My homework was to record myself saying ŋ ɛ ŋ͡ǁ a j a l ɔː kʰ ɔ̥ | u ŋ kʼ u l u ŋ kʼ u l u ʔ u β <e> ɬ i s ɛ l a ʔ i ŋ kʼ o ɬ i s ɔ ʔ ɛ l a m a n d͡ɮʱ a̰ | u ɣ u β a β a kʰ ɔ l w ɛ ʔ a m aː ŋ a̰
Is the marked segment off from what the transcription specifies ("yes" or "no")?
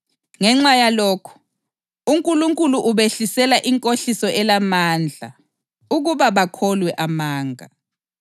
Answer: no